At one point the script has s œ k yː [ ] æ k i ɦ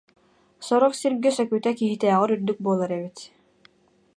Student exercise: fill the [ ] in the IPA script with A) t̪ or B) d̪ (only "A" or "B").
A